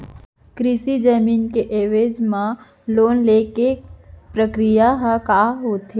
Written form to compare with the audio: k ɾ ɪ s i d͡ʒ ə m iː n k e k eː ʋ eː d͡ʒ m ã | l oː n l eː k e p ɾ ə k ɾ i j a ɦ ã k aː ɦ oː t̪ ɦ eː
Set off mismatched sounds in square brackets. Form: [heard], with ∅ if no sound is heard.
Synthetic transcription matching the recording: k ɾ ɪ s i d͡ʒ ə m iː n k e [ʔ] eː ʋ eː d͡ʒ m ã | l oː n l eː k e p ɾ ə k ɾ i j a ɦ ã k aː ɦ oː t̪ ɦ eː